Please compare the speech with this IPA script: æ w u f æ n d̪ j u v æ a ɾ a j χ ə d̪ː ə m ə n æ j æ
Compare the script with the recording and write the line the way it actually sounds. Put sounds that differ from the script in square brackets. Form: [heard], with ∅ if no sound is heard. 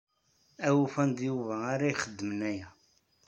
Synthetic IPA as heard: æ w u f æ n d̪ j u v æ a ɾ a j χ ə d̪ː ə m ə n æ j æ